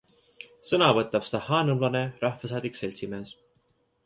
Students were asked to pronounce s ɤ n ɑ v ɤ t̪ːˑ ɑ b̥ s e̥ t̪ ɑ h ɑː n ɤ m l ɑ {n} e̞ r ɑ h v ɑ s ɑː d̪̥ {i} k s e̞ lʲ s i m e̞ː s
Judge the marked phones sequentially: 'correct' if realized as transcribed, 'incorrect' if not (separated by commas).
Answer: correct, correct